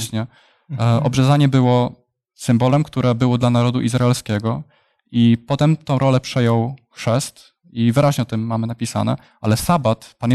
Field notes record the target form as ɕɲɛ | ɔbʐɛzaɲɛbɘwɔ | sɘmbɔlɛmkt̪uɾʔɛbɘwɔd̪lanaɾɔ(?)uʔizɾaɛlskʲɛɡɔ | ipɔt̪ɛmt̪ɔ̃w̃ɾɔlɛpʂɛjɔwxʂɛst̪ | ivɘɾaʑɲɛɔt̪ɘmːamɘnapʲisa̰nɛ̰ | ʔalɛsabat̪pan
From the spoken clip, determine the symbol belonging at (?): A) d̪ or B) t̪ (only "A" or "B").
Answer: A